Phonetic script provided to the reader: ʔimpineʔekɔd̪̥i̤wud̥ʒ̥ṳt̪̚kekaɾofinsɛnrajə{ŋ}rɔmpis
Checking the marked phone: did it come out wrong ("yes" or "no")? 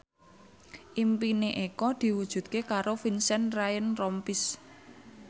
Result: yes